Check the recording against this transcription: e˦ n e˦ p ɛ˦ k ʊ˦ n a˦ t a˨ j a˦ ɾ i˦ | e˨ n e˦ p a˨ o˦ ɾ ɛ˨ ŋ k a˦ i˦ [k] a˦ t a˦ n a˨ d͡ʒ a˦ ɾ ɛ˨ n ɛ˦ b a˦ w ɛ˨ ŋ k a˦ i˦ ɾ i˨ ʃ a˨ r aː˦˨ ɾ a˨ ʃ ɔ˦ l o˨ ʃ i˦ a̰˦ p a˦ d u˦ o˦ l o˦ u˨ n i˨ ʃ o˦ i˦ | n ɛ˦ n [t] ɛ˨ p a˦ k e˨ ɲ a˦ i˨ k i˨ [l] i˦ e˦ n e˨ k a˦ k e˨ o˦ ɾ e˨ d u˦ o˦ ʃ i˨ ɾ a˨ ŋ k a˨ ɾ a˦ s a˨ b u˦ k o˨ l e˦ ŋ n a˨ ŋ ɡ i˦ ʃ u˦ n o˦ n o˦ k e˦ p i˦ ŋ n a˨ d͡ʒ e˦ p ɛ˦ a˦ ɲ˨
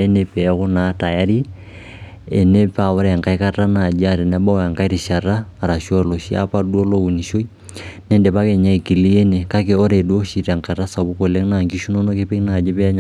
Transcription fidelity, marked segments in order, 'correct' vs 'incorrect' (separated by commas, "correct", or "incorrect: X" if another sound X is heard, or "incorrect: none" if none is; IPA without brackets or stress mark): correct, incorrect: d, correct